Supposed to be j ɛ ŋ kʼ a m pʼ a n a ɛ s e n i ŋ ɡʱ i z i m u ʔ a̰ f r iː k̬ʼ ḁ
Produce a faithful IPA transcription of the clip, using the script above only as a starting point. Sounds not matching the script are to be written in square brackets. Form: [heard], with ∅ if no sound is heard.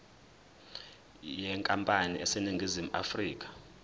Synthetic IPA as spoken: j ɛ ŋ kʼ a m pʼ a n [i] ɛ s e n i ŋ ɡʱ i z i m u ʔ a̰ f r iː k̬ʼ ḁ

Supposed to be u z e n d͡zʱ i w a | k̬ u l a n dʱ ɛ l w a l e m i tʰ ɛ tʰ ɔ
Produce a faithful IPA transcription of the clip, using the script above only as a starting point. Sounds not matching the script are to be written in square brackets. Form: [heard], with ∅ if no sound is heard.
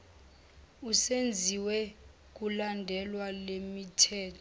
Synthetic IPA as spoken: u [s] e n d͡zʱ i w [ɛ] | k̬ u l a n dʱ ɛ l w a l e m i tʰ [ɛː] tʰ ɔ

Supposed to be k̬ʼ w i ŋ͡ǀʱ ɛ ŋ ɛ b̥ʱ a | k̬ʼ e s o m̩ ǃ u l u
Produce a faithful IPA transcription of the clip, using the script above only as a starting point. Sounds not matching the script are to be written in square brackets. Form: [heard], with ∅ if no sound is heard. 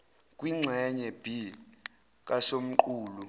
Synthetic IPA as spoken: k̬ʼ w i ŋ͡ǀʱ ɛ [ɲ] ɛ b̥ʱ [i] | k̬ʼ [a] s o m̩ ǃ [uː] l u

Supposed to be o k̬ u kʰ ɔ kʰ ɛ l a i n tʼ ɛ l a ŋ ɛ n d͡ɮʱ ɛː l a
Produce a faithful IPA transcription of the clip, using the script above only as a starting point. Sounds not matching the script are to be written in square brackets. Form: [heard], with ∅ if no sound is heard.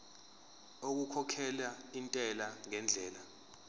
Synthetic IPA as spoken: o k̬ u kʰ ɔ kʰ ɛ l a i n tʼ ɛ l a ŋ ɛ n d͡ɮʱ ɛː l a

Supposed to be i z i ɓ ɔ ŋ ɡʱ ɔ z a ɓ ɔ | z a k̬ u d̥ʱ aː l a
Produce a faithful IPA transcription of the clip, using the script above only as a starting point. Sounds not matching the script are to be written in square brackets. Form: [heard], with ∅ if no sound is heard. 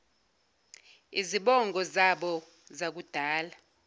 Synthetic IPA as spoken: i z i ɓ ɔ ŋ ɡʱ ɔ z a ɓ ɔ | z a k̬ u d̥ʱ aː l a

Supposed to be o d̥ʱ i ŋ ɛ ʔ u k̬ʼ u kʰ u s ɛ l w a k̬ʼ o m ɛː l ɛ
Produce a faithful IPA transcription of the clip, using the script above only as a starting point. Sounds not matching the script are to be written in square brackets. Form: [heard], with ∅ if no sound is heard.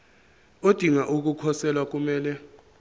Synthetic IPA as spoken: o d̥ʱ i ŋ [a] ʔ u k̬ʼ u kʰ [ɔ] s ɛ l w a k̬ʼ [u] m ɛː l ɛ

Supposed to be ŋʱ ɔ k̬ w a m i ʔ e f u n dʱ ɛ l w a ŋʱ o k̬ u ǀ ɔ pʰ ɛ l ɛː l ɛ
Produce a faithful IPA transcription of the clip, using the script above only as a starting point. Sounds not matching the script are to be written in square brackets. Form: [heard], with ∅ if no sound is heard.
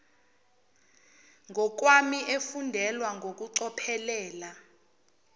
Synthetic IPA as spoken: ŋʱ ɔ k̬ w a m i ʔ e f u n dʱ ɛ l w a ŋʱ o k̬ u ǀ ɔ pʰ ɛ l ɛː l [a]

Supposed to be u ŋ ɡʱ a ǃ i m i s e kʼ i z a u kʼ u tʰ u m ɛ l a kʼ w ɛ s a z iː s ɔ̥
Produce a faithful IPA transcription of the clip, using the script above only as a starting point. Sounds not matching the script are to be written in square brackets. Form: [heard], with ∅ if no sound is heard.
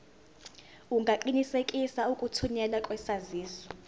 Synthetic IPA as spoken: u ŋ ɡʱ a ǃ i [n] i s e kʼ i [s] a u kʼ u tʰ u [ɲ] ɛ l a kʼ w ɛ s a z iː s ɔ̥

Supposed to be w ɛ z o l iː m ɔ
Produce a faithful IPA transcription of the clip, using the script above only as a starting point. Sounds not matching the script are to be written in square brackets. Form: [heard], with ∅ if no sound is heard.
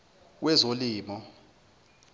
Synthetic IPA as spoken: w ɛ z o l iː m ɔ

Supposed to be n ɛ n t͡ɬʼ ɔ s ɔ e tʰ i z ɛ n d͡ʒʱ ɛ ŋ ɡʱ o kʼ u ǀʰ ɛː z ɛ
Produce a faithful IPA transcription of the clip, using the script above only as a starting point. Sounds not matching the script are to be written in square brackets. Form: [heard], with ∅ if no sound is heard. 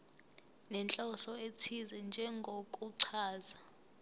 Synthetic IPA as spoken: n ɛ n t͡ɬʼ ɔ s ɔ e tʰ i z ɛ n d͡ʒʱ ɛ ŋ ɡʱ o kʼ u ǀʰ [aː] z [a]

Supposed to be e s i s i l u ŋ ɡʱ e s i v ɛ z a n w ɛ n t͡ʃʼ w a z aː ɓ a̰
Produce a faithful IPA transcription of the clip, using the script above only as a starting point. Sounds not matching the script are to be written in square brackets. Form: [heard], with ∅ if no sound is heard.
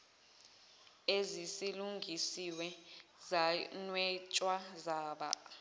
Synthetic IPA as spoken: e [z] i s i l u ŋ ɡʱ [i] s i [w] ɛ z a n w ɛ [∅] t͡ʃʼ w a z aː ɓ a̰

